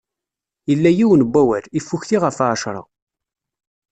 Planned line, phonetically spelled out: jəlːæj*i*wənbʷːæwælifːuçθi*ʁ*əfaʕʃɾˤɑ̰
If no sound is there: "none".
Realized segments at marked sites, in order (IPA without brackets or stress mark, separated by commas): i, ʁ